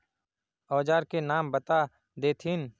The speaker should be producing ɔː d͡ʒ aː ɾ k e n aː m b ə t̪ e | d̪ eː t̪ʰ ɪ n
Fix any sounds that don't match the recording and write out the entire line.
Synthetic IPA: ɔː d͡ʒ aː ɾ k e n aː m b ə t̪ a | d̪ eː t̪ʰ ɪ n

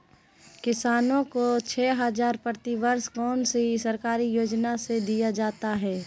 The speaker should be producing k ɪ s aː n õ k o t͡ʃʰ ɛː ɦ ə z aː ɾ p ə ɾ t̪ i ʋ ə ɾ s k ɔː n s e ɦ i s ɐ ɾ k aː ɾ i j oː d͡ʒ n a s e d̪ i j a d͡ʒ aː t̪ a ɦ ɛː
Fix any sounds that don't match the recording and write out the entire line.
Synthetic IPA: k ɪ s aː n õ k o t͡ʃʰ ɛː ɦ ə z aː ɾ p ə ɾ t̪ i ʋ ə ɾ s k ɔː n s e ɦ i s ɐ ɾ k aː ɾ i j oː d͡ʒ n a s e d̪ i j a d͡ʒ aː t̪ a ɦ ɛː

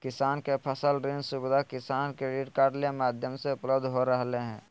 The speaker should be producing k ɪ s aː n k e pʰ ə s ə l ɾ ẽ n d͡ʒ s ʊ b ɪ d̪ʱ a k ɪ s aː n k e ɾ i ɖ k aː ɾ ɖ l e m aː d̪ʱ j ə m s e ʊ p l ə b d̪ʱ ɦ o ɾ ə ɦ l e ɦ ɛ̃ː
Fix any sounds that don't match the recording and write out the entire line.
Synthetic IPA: k ɪ s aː n k e pʰ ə s ə l ɾ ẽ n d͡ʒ s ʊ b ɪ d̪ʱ a k ɪ s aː n k e ɾ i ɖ k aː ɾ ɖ l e m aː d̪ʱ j ə m s e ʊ p l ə b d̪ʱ ɦ o ɾ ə ɦ l e ɦ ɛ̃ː

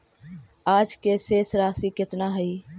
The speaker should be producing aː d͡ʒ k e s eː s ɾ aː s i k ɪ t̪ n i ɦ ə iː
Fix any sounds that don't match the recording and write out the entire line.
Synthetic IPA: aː d͡ʒ k e s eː s ɾ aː s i k ɪ t̪ n a ɦ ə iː

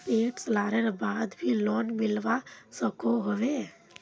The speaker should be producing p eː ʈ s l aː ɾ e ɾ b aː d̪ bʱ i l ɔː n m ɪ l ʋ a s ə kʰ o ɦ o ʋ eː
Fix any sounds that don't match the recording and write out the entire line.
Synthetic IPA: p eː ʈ s l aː ɾ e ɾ b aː d̪ bʱ i l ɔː n m ɪ l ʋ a s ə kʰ o ɦ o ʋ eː

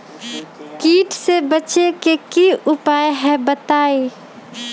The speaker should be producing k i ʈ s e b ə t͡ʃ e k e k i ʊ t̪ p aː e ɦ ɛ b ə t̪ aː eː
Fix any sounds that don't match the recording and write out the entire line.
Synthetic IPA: k iː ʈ s e b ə t͡ʃ e k e k i ʊ p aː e ɦ ɛ b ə t̪ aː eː

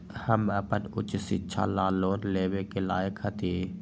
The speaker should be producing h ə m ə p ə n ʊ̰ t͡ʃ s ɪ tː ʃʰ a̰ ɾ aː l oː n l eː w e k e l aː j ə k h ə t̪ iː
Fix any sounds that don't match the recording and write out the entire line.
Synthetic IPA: h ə m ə p ə n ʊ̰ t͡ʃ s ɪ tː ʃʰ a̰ l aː l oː n l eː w e k e l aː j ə k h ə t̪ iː

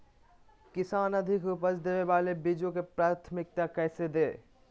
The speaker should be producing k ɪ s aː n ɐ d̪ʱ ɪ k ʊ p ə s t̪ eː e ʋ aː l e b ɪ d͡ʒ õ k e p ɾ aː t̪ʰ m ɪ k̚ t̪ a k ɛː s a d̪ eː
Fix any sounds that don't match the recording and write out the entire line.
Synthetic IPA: k ɪ s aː n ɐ d̪ʱ ɪ k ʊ p ə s d̪ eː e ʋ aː l e b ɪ d͡ʒ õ k e p ɾ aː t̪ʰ m ɪ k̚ t̪ a k ɛː s e d̪ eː

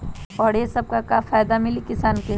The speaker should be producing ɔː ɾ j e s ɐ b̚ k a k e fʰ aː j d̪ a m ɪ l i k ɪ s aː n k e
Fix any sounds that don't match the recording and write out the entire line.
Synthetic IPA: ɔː ɾ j e s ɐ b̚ k a k a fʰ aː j d̪ a m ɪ l i k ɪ s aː n k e

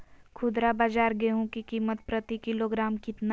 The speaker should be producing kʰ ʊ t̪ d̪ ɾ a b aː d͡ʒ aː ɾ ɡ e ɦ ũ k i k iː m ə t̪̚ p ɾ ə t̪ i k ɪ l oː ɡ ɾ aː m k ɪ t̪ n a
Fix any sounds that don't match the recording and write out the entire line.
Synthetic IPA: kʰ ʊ d̪ ɾ a b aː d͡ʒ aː ɾ ɡ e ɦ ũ k i k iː m ə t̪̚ p ɾ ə t̪ i k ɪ l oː ɡ ɾ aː m k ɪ t̪ n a

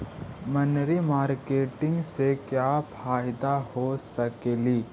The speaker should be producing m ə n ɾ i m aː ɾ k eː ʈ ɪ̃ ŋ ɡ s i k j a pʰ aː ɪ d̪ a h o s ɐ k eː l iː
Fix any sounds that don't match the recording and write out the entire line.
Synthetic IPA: m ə n ɾ i m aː ɾ k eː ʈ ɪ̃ ŋ ɡ s e k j a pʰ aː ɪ d̪ a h o s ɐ k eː l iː

